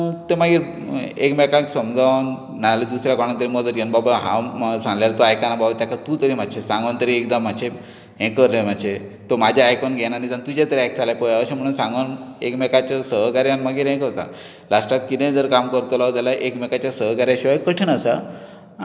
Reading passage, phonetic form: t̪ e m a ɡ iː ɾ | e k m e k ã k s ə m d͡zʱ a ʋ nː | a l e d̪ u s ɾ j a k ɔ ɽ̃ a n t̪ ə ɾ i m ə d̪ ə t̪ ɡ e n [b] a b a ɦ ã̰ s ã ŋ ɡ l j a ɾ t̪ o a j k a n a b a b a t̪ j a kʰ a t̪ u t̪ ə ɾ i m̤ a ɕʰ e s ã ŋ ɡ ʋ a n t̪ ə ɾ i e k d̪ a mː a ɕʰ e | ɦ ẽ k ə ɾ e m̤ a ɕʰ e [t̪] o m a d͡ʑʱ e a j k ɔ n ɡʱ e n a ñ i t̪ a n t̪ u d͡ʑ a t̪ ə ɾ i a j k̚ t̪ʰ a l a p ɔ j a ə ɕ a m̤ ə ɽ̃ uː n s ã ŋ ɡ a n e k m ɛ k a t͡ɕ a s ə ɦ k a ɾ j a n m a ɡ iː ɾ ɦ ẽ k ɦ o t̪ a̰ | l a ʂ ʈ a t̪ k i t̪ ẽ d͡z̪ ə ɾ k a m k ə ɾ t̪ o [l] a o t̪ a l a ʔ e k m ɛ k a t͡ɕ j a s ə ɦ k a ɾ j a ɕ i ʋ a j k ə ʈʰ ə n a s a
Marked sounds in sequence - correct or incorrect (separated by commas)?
correct, correct, correct